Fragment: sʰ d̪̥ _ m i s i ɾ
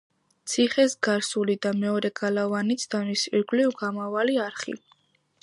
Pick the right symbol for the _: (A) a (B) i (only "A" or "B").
A